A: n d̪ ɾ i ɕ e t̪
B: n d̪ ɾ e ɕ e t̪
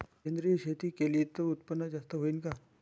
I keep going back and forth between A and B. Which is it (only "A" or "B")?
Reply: A